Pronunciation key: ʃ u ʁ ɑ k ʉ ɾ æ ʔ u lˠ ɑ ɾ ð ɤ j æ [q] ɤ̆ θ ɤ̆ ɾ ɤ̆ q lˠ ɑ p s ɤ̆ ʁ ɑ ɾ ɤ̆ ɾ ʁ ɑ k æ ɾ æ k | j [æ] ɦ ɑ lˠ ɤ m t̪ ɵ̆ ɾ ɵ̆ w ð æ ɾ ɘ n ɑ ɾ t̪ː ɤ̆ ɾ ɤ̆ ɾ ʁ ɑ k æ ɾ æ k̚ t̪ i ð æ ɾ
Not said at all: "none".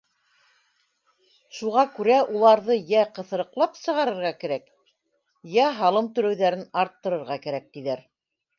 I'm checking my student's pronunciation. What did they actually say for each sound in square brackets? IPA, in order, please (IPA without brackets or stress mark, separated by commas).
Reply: q, æ